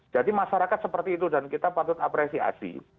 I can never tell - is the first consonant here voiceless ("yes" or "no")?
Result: no